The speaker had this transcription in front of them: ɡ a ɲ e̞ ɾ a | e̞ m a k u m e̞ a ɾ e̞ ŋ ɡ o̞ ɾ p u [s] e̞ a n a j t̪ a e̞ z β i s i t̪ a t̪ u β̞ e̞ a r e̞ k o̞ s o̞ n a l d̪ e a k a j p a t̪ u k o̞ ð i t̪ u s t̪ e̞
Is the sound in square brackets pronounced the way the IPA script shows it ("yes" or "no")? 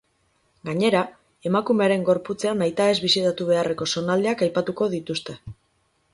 no